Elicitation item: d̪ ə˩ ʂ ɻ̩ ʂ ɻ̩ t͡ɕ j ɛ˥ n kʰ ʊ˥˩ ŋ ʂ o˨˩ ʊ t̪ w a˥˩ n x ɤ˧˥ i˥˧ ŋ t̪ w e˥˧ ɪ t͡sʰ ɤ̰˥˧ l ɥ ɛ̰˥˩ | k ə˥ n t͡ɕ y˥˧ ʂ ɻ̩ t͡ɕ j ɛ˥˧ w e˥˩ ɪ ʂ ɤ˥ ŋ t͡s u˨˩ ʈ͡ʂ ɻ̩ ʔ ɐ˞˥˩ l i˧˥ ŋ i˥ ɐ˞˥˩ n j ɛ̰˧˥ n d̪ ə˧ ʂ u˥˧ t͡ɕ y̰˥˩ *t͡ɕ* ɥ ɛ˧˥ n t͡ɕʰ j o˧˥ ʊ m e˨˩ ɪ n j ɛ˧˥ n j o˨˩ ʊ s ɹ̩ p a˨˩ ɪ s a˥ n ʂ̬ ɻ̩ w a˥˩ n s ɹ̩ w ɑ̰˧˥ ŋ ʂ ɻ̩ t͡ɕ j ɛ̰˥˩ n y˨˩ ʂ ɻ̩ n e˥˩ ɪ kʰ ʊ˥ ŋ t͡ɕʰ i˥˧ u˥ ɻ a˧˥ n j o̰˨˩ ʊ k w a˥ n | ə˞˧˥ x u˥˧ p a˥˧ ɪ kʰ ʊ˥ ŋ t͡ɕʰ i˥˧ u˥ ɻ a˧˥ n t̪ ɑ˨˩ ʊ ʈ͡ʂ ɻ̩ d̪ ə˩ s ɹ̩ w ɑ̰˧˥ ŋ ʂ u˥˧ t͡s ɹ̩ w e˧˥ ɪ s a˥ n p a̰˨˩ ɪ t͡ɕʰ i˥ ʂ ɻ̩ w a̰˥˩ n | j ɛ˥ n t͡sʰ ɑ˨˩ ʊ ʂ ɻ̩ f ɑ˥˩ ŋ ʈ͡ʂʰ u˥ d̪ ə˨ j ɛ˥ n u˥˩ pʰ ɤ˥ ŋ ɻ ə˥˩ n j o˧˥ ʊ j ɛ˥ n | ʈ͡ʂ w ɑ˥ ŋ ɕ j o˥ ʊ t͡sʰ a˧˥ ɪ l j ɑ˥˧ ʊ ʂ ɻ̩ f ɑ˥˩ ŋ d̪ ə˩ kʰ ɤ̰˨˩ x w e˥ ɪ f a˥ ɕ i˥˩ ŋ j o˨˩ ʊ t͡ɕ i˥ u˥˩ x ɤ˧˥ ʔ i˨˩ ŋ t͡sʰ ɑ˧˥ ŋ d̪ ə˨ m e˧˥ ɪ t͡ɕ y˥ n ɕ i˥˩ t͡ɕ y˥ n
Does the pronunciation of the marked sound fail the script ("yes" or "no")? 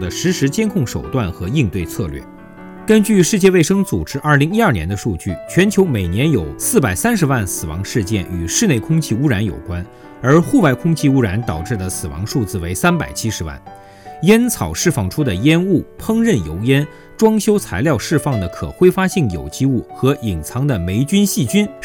yes